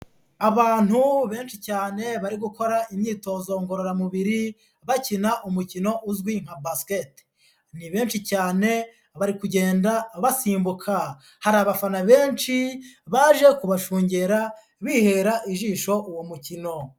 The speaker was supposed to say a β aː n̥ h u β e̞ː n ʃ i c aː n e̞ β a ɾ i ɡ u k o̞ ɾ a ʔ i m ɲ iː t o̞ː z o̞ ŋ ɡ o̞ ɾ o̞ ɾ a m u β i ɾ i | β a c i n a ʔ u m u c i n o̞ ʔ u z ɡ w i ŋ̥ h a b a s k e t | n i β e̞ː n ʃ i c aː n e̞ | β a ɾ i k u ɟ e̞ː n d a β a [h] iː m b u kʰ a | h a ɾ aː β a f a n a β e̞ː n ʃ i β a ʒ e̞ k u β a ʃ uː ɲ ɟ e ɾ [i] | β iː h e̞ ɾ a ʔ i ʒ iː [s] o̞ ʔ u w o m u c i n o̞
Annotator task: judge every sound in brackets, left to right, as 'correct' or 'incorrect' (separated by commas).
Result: incorrect, incorrect, incorrect